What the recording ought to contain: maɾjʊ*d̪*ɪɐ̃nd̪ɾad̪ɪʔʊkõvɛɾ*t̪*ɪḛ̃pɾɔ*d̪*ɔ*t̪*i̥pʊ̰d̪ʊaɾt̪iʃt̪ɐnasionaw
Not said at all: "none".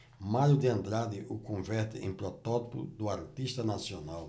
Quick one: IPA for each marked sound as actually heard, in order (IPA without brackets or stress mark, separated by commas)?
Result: d̪, t̪, t̪, t̪